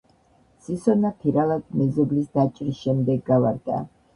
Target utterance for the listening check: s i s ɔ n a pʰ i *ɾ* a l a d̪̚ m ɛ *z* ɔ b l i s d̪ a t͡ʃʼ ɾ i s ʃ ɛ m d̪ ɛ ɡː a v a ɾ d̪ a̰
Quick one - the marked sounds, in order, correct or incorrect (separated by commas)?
correct, correct